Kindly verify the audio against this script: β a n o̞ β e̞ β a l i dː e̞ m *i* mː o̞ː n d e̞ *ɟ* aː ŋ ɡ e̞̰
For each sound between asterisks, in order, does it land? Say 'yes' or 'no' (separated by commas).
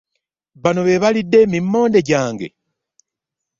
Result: yes, yes